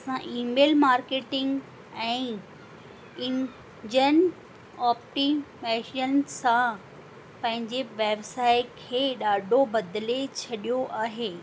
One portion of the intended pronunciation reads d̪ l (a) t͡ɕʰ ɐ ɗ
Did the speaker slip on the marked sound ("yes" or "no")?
yes